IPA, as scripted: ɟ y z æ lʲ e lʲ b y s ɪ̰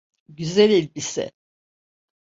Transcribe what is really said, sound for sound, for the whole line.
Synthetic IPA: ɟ y z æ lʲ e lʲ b i s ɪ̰